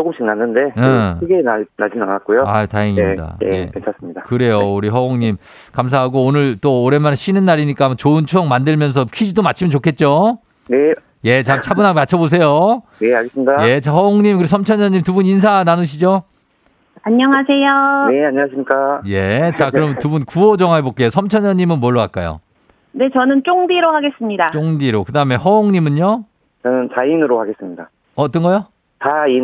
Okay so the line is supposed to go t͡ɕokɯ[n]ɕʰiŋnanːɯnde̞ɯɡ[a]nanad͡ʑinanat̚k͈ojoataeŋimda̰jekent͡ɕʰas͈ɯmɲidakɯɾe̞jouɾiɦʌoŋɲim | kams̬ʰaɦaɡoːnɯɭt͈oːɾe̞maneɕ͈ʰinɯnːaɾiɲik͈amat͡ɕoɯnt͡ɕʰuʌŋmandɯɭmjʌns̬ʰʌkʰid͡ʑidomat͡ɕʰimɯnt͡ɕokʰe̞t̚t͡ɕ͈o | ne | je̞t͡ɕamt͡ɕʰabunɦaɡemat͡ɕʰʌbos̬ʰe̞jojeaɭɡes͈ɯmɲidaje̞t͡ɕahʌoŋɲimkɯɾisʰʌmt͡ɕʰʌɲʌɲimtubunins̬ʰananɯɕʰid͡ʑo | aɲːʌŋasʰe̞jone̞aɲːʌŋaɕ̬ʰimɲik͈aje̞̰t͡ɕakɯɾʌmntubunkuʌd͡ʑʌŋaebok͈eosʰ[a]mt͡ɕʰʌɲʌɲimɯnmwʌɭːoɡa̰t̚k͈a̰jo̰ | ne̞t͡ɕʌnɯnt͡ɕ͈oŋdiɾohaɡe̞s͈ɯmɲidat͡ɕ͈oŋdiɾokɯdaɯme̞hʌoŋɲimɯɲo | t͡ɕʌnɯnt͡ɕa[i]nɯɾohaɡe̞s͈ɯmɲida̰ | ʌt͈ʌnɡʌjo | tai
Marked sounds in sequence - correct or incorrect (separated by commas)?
incorrect, incorrect, incorrect, correct